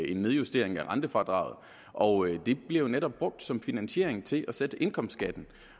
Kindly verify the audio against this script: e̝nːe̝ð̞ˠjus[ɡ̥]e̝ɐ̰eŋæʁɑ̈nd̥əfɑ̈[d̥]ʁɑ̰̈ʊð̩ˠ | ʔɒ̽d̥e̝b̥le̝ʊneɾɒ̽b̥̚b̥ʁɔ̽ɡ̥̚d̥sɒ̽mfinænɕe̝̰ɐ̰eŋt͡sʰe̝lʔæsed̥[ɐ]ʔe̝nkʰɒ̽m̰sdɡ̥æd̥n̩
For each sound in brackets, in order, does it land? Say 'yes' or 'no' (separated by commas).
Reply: no, yes, no